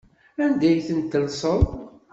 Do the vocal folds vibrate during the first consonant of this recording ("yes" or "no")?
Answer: yes